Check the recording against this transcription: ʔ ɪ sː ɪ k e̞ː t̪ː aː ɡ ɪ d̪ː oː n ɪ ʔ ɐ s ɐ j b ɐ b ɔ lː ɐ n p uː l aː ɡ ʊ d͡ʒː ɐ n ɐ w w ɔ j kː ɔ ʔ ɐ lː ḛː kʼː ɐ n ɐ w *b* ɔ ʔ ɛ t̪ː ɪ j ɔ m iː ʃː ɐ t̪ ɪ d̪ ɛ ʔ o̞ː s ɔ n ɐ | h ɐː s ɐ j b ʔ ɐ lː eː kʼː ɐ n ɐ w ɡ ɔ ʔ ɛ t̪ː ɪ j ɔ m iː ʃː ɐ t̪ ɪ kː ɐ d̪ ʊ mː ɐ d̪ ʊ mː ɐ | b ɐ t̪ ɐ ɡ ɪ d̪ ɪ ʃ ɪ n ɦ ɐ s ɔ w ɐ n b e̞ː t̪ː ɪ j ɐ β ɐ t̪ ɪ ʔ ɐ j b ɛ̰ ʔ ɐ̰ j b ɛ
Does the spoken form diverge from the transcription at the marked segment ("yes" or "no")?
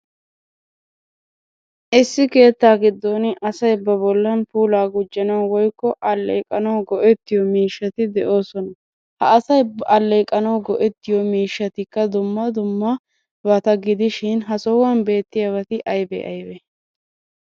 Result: yes